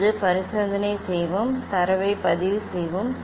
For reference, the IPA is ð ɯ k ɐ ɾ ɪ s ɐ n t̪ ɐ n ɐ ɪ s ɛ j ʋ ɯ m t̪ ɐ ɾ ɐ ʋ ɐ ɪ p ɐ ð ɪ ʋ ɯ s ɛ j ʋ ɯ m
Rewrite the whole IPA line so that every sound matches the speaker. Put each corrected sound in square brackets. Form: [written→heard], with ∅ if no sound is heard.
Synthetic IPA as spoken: ð ɯ [k→p] ɐ ɾ ɪ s ɐ n [t̪→d̪] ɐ n ɐ ɪ s ɛ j ʋ ɯ m t̪ ɐ ɾ ɐ ʋ ɐ ɪ p ɐ ð ɪ ʋ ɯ s ɛ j ʋ ɯ m